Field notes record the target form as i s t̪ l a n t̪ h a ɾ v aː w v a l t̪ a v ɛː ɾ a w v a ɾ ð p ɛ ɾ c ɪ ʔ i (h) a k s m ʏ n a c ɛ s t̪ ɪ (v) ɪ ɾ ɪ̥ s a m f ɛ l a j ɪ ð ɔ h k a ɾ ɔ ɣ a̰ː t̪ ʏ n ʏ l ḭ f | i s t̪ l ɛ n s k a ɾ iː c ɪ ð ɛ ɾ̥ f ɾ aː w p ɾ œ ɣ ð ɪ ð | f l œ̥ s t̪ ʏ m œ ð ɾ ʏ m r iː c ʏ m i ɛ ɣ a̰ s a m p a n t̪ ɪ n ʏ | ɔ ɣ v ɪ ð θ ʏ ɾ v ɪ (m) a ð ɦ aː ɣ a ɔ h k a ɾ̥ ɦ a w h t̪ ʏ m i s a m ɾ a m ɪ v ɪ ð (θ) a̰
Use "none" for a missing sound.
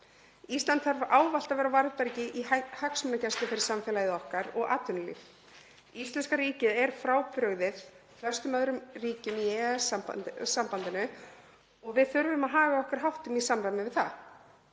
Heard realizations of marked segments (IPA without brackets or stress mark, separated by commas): h, f, m, θ